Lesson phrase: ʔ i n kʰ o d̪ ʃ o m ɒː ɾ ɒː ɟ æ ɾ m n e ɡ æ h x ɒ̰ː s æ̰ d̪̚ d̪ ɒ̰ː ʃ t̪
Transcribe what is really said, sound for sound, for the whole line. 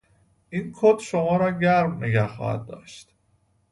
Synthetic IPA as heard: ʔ i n kʰ o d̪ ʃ o m ɒː ɾ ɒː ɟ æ ɾ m n e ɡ æ h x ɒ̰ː h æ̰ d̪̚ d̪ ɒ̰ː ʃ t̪